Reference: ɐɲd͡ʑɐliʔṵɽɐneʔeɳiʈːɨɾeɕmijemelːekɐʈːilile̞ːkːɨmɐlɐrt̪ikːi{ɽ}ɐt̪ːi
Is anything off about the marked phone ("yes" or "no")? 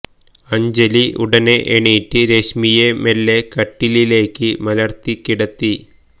no